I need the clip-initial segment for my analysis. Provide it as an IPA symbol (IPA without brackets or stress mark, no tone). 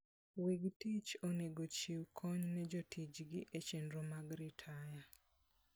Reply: w